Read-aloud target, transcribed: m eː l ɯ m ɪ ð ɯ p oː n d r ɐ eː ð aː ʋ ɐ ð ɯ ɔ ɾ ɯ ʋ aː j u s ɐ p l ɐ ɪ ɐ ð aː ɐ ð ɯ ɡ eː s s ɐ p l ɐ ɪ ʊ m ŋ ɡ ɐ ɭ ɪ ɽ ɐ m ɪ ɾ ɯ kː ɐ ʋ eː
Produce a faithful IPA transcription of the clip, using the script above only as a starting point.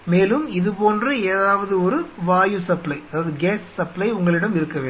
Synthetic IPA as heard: m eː l ɯ m ɪ ð ɯ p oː n d r ɐ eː ð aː ʋ ɐ ð ɯ ɔ ɾ ɯ ʋ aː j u s ɐ p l ɐ ɪ ɐ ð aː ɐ ð ɯ ɡ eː s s ɐ p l ɐ ɪ ʊ ŋ ɡ ɐ ɭ ɪ ɽ ɐ m ɪ ɾ ɯ kː ɐ ʋ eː